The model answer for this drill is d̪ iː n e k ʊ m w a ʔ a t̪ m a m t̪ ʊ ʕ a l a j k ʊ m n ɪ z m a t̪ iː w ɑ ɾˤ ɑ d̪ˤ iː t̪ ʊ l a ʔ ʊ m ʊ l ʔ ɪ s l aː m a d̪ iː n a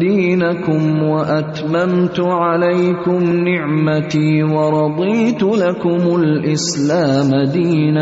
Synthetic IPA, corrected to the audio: d̪ iː n a k ʊ m w a ʔ a t̪ m a m t̪ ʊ ʕ a l a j k ʊ m n ɪ ʕ m a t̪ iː w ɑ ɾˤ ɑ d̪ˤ iː t̪ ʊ l a k ʊ m ʊ l ʔ ɪ s l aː m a d̪ iː n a